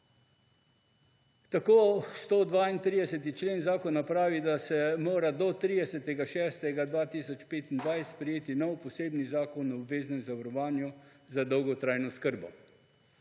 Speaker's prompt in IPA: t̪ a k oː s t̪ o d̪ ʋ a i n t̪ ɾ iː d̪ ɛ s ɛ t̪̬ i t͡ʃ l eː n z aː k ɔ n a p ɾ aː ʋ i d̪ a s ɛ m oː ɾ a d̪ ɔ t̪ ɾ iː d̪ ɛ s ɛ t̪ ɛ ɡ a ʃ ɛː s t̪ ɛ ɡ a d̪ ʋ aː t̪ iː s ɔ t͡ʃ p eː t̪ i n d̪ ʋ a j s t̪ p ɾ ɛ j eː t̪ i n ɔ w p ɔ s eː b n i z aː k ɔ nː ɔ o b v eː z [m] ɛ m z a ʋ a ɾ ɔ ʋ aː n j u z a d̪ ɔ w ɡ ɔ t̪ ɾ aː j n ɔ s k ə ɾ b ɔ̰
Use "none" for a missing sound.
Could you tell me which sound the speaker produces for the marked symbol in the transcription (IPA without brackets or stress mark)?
n